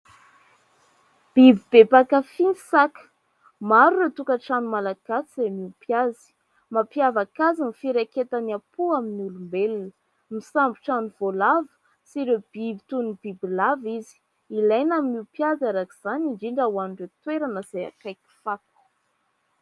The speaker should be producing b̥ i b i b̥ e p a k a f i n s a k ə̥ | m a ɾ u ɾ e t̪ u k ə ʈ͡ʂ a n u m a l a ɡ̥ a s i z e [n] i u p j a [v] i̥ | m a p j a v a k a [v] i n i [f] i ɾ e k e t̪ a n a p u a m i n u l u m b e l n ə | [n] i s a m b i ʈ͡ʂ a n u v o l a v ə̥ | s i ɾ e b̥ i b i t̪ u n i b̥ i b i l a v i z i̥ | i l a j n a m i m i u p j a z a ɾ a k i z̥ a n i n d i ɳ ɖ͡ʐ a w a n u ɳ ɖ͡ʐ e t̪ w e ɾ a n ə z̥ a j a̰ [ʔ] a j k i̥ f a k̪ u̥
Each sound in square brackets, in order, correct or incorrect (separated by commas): incorrect, incorrect, incorrect, correct, incorrect, incorrect